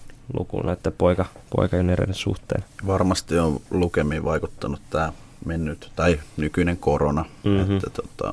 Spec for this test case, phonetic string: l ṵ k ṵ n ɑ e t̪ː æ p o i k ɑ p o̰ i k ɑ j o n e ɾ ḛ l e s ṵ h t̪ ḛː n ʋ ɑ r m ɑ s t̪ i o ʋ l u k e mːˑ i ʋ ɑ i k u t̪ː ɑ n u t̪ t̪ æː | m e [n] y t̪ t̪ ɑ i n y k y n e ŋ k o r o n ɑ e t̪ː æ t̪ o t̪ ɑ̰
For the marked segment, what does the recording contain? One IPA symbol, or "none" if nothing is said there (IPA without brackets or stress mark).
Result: nː